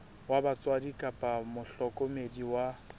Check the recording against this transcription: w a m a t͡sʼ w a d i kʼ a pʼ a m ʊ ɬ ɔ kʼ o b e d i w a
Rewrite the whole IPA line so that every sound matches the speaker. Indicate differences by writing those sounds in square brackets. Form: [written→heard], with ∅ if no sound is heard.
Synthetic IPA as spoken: w a [m→b] a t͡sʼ w a d i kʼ a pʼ a m ʊ ɬ ɔ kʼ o [b→m] e d i w a